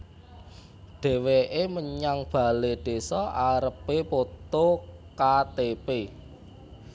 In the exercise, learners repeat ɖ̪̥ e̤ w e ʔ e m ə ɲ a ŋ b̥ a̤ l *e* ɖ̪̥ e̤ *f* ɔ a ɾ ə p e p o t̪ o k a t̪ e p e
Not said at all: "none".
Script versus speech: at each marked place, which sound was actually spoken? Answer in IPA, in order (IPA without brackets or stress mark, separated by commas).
e, s